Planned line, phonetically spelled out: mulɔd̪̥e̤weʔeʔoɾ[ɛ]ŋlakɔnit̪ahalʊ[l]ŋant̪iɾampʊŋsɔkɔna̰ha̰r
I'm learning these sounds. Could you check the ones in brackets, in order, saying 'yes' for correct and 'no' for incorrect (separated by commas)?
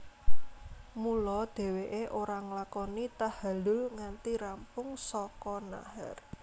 no, yes